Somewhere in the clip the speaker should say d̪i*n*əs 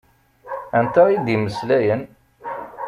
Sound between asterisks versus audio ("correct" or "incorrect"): incorrect